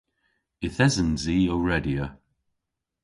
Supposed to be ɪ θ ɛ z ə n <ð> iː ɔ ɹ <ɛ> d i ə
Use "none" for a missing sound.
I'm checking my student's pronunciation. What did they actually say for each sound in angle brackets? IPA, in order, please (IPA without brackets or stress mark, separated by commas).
z, ɛ